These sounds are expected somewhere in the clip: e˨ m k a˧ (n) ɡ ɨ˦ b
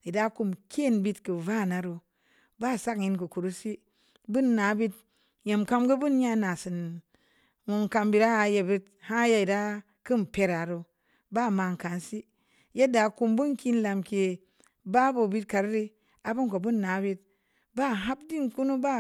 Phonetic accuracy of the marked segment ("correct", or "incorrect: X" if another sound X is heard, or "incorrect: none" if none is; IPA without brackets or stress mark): incorrect: m